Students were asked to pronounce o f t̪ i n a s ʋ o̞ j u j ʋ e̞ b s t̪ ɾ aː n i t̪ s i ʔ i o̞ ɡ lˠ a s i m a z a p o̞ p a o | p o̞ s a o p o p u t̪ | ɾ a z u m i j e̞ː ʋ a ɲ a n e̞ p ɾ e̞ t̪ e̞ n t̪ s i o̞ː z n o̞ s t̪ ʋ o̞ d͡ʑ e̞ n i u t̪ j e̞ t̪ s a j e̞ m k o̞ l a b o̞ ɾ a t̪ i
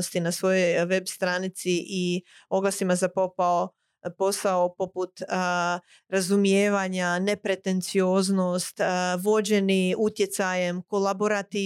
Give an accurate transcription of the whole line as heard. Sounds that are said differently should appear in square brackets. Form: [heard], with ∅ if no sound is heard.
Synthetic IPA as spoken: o [s] t̪ i n a s ʋ o̞ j [o] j ʋ e̞ b s t̪ ɾ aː n i t̪ s i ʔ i o̞ ɡ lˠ a s i m a z a p o̞ p a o | p o̞ s a o p o p u t̪ | ɾ a z u m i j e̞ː ʋ a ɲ a n e̞ p ɾ e̞ t̪ e̞ n t̪ s i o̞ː z n o̞ s t̪ ʋ o̞ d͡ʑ e̞ n i u t̪ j e̞ t̪ s a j e̞ m k o̞ l a b o̞ ɾ a t̪ i